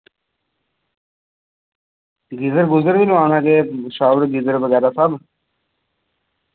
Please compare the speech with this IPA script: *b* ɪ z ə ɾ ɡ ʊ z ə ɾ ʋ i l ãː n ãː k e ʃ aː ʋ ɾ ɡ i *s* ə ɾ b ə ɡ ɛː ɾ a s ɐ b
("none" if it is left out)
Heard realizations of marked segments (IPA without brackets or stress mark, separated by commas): ɡ, z